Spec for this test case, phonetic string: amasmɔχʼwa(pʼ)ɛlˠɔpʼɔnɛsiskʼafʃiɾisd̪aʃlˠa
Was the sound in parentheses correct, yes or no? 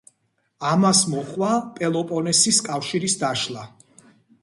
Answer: yes